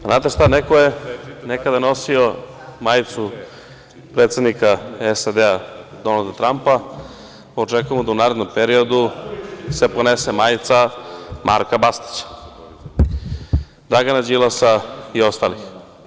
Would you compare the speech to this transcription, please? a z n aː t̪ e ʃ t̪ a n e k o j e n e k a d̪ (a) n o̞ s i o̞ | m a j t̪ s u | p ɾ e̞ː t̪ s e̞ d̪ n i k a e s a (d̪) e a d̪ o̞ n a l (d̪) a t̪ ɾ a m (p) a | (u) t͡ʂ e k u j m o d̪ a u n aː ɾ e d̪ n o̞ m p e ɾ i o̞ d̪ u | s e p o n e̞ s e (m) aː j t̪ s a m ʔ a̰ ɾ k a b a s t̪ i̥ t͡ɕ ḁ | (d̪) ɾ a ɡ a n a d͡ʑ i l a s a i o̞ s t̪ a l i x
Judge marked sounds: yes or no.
yes, yes, yes, yes, no, yes, yes

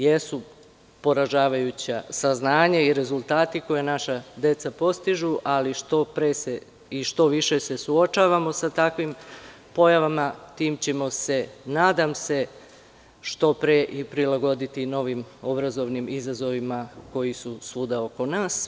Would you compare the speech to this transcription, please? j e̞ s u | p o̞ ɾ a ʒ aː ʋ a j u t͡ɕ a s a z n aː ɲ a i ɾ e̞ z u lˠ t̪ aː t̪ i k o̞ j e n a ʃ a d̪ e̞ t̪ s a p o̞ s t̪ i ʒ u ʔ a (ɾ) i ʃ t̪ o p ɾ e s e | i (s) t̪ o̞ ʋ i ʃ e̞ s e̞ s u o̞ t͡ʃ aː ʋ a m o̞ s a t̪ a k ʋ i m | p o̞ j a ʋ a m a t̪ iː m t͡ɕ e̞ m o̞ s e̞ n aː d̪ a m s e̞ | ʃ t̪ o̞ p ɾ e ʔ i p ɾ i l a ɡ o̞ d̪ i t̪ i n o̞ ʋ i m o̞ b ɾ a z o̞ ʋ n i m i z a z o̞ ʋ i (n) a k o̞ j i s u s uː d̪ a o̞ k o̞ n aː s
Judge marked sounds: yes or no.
no, no, no

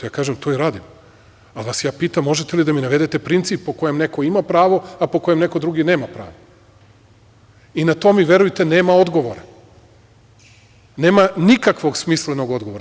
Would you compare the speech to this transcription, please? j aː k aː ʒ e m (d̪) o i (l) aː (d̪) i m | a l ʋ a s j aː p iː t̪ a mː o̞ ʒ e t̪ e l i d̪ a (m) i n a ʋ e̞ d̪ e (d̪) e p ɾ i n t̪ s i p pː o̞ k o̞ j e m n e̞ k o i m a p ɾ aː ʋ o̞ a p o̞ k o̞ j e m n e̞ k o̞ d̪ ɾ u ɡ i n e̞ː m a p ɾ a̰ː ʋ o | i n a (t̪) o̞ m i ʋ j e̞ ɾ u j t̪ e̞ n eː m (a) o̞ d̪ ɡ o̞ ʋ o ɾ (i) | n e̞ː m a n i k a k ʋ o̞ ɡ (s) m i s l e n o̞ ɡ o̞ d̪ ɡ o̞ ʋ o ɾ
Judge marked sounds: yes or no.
no, no, yes, yes, no, yes, yes, no, yes

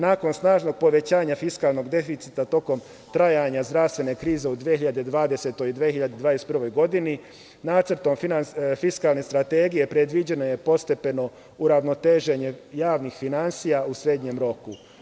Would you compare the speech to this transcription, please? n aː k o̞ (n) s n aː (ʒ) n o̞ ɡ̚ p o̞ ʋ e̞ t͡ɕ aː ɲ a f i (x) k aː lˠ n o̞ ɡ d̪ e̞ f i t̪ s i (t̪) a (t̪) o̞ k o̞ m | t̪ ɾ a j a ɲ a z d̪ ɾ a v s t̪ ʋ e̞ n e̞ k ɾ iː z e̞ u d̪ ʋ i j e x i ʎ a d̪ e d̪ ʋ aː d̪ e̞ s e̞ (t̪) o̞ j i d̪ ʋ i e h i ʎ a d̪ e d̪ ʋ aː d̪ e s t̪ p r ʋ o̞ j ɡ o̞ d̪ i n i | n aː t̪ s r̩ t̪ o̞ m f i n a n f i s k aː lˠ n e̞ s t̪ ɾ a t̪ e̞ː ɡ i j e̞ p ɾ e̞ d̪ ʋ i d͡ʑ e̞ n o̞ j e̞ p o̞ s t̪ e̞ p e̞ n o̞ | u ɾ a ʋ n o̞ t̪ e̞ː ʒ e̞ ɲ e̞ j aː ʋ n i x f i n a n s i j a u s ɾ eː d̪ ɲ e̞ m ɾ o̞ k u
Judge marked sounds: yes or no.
yes, yes, no, yes, yes, yes

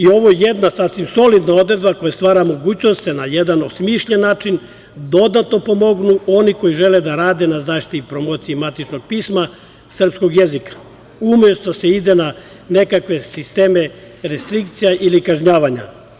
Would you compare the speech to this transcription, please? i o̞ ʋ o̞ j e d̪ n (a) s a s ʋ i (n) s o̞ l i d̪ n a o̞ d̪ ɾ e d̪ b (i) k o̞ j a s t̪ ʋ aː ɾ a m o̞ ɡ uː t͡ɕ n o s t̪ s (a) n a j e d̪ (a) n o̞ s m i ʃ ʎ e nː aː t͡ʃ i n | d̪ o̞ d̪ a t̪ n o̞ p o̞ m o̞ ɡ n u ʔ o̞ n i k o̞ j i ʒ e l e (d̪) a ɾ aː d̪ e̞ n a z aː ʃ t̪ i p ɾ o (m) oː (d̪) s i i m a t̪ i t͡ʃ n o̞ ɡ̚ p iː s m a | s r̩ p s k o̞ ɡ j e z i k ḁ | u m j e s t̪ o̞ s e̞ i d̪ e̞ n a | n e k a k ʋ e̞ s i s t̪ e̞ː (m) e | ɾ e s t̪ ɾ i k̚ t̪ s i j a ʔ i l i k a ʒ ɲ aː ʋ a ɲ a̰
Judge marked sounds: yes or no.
yes, no, no, no, yes, yes, yes, no, yes

